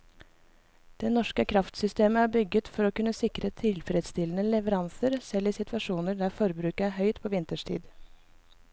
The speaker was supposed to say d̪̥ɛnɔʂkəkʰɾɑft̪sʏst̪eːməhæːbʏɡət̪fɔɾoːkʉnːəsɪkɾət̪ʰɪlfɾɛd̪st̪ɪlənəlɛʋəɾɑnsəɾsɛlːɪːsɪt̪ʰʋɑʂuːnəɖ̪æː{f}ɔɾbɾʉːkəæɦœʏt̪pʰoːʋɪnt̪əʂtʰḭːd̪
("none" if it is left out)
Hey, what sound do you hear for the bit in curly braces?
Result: f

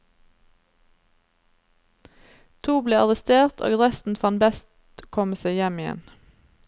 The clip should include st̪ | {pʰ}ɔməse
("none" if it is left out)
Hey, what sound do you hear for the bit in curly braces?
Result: kʰ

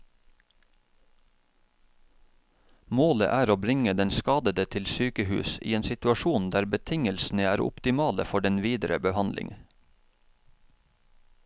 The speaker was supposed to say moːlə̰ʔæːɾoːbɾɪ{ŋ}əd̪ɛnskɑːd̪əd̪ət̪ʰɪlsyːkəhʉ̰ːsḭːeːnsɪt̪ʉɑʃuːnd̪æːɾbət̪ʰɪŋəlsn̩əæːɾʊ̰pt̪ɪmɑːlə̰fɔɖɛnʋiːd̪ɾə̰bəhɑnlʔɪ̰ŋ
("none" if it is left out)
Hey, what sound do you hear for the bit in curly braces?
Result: ŋ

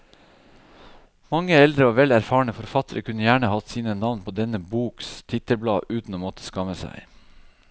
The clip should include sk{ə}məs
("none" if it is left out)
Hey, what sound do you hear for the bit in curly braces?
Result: ɑ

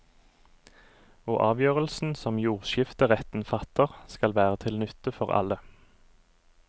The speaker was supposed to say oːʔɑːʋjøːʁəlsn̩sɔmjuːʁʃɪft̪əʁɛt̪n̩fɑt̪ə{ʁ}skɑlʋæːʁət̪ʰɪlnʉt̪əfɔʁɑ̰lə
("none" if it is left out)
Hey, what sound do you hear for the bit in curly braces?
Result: ʁ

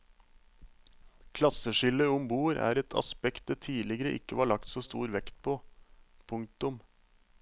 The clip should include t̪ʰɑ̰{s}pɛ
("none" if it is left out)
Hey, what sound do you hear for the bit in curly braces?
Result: s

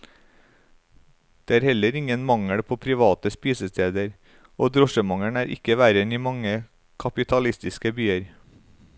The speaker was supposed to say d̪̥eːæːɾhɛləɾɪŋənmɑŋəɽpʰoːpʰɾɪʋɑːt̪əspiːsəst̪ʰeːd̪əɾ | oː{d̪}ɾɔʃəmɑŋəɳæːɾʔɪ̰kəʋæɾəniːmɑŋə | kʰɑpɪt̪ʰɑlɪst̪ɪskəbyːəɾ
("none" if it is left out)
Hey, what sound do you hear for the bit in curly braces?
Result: d̪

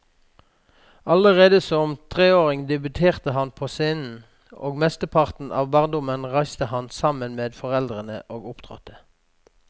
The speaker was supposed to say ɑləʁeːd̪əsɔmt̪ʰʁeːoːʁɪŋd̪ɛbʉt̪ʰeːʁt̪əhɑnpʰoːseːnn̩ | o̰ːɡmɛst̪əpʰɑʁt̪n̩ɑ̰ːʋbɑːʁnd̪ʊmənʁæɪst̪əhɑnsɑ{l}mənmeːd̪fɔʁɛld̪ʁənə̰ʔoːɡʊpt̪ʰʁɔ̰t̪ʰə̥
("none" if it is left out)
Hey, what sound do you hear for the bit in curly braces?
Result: none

